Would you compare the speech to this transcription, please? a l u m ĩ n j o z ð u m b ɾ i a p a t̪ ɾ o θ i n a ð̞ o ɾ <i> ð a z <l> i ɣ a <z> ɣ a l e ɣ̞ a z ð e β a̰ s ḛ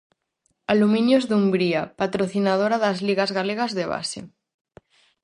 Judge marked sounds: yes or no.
no, yes, yes

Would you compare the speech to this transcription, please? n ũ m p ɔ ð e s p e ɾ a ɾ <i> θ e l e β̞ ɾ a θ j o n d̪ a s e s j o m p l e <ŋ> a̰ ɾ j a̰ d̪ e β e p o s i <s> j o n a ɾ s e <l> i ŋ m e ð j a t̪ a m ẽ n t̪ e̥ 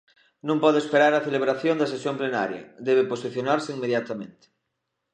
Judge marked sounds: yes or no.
no, no, no, no

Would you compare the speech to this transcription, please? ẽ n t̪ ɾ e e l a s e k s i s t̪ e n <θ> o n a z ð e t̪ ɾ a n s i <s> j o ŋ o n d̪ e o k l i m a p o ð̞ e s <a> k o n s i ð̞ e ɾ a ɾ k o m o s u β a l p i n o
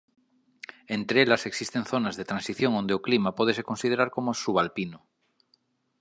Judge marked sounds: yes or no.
yes, no, no

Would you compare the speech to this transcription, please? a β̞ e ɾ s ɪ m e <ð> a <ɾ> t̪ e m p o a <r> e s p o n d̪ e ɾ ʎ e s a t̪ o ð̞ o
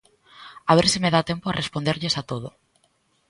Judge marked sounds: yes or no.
yes, no, yes

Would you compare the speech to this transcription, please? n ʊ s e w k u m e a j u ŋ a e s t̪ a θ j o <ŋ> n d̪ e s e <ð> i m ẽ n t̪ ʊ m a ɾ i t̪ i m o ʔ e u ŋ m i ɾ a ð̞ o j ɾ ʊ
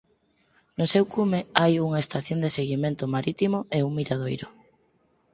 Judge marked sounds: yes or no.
no, no

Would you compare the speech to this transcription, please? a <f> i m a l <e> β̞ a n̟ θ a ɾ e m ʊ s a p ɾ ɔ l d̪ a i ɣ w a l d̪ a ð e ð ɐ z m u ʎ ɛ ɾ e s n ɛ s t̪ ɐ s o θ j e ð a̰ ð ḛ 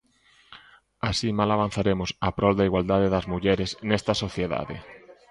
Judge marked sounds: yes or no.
no, no

